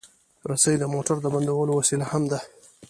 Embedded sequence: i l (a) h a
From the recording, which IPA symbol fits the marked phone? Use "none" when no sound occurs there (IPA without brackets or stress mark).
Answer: a